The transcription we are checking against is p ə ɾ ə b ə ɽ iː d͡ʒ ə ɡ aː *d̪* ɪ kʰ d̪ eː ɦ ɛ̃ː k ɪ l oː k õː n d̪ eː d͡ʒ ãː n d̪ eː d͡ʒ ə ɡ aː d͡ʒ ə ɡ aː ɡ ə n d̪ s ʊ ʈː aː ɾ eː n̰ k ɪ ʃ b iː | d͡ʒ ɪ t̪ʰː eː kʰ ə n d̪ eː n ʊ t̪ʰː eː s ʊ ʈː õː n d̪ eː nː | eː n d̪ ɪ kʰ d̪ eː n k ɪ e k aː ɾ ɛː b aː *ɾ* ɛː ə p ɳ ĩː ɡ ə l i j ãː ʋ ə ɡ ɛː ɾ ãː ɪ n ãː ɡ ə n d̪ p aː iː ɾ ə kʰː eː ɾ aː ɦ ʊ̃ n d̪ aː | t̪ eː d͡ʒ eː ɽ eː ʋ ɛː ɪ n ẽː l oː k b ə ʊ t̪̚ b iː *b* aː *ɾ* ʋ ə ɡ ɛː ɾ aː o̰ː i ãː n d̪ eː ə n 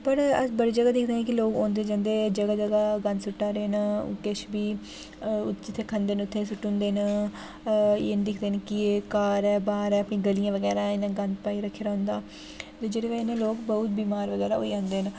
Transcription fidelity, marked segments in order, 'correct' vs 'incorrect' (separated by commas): correct, correct, incorrect, correct